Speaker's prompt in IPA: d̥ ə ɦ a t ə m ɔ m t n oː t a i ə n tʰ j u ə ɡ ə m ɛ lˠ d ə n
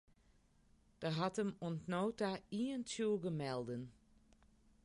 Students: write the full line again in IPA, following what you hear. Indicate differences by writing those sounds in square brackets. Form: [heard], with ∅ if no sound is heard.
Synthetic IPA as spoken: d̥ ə ɦ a t ə m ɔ [n] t n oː t a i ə n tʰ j u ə ɡ ə m ɛ lˠ d ə n